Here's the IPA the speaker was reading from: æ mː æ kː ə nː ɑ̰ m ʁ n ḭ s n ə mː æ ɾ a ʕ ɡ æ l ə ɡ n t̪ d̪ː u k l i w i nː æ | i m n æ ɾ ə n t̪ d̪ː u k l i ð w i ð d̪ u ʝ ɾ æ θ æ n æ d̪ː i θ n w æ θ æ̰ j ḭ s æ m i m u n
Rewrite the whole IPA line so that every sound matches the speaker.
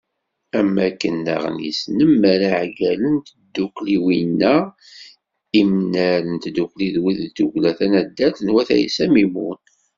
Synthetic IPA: æ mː æ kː ə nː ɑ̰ ʁ n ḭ s n ə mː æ ɾ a ʕ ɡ æ l ə n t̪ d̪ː u k l i w i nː æ | i m n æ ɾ ə n t̪ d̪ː u k l i ð w i ð d̪ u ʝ l æ θ æ n æ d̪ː æ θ n w æ θ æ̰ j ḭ s æ m i m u n

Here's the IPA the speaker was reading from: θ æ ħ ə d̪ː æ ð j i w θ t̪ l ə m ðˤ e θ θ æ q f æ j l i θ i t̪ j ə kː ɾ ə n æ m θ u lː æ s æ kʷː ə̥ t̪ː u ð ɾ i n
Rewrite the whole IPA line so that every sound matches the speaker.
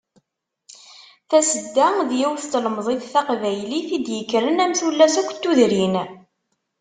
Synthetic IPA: θ æ s ə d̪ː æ ð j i w θ t̪ l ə m ðˤ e θ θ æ q v æ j l i θ i d̪ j ə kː ɾ ə n æ m θ u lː æ s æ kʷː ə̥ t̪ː u ð ɾ i n

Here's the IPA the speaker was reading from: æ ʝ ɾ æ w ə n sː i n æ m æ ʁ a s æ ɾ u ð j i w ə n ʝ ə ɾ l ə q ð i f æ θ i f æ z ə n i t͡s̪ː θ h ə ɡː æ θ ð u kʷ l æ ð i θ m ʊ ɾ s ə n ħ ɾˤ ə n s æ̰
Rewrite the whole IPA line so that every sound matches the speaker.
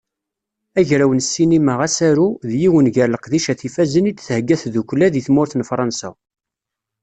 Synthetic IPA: æ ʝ ɾ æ w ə n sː i n i m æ ʁ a s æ ɾ u ð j i w ə n ʝ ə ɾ l ə q ð i ʃ æ θ i f æ z ə n i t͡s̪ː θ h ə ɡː æ θ ð u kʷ l æ ð i θ m ʊ ɾ θ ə n f ɾˤ ɑ n s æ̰

